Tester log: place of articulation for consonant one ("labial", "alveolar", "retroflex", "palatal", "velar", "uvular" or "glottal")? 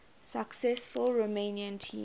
alveolar